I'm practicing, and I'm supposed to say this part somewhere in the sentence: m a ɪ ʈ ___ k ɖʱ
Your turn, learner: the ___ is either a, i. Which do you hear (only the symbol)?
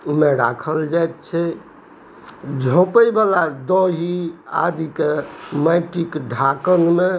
i